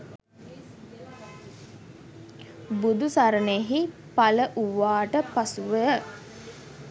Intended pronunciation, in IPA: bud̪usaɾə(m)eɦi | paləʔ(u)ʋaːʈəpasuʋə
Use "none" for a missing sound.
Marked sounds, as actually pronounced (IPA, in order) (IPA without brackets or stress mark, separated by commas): n, u